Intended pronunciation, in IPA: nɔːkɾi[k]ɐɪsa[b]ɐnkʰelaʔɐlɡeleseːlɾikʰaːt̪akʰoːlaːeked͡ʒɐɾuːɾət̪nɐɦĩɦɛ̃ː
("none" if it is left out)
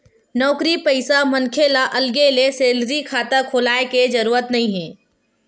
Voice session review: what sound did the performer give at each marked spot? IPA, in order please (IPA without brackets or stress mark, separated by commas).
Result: p, m